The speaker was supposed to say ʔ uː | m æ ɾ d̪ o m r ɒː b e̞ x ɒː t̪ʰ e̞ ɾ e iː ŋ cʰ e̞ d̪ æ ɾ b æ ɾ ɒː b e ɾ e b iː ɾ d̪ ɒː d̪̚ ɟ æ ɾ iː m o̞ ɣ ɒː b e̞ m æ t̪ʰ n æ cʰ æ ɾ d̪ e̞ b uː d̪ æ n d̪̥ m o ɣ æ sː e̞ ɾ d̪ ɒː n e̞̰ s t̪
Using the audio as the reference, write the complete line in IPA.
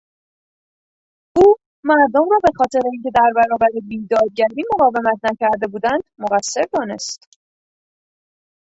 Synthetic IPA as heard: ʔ uː | m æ ɾ d̪ o m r ɒː b e̞ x ɒː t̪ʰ e̞ ɾ e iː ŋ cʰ e̞ d̪ æ ɾ b æ ɾ ɒː b æ ɾ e b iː d̪ ɒː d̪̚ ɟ æ ɾ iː m o̞ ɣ ɒː v e̞ m æ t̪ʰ n æ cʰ æ ɾ d̪ e̞ b uː d̪ æ n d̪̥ m o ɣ æ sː e̞ ɾ d̪ ɒː n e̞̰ s t̪